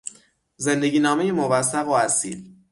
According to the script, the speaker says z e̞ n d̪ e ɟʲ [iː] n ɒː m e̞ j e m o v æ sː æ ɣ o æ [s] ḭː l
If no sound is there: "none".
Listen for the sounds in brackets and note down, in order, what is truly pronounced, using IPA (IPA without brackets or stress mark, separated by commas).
iː, s